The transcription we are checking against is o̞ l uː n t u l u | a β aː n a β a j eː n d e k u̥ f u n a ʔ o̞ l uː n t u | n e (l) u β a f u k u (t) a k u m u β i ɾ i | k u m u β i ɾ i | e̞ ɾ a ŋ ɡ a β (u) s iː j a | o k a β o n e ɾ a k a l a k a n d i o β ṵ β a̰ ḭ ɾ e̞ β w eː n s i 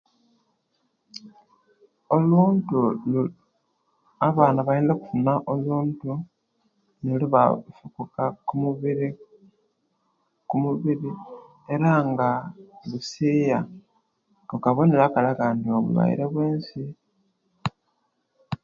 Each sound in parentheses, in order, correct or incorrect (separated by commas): correct, incorrect, correct